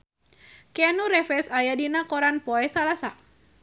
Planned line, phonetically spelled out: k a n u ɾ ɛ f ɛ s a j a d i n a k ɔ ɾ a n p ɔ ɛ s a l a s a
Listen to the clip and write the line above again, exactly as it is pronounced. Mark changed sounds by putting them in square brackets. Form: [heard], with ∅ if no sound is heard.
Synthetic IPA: k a n u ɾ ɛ f ɛ s a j a d i n a k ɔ ɾ a n p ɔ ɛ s a l a s a